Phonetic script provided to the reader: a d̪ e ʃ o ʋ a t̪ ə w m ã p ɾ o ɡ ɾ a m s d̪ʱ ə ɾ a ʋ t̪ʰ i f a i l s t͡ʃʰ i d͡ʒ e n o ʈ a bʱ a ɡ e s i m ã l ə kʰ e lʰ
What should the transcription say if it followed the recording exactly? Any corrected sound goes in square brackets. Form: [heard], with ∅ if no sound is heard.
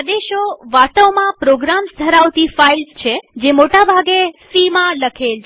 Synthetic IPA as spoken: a d̪ e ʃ o ʋ a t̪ ə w m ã p ɾ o ɡ ɾ a m s d̪ʱ ə ɾ a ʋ [t̪] i f a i l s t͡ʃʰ [e] d͡ʒ e [m] o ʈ a bʱ a ɡ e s i m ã l ə kʰ e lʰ